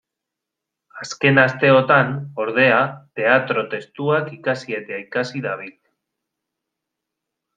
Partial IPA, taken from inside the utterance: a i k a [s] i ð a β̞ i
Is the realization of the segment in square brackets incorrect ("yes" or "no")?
no